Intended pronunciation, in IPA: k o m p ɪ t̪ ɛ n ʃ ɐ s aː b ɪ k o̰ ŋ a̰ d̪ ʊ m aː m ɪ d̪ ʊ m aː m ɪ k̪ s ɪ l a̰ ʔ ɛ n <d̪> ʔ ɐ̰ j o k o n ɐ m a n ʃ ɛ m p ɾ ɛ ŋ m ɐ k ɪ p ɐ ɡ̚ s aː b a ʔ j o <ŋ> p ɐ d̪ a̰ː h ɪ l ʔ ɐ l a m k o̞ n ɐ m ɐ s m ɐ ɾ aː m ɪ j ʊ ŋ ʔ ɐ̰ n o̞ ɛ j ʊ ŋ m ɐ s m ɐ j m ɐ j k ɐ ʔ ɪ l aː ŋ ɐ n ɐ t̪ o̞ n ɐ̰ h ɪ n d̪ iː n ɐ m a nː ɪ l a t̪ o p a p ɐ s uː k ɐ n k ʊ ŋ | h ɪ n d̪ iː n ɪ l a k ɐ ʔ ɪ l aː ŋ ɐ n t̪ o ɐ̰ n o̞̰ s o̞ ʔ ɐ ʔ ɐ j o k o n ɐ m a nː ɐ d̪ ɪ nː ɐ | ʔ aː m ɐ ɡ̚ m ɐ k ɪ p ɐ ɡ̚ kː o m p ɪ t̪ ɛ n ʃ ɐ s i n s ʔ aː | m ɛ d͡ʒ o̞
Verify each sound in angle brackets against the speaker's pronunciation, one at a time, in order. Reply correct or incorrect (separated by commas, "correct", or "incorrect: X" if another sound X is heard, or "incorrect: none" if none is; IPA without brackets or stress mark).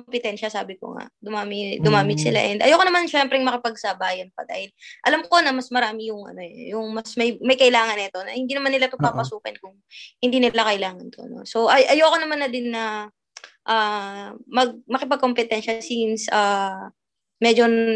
correct, incorrect: n